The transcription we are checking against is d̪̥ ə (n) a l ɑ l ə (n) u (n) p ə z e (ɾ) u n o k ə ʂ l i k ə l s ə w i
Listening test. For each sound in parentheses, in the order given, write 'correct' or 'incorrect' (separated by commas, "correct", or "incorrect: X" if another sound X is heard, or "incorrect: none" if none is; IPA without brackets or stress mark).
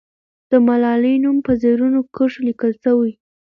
incorrect: m, correct, incorrect: m, correct